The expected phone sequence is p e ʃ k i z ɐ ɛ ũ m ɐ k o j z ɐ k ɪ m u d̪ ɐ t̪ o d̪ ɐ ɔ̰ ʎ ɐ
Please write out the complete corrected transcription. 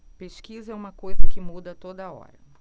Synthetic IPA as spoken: p e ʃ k i z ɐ ɛ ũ m ɐ k o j z ɐ k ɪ m u d̪ ɐ t̪ o d̪ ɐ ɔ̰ ɾ ɐ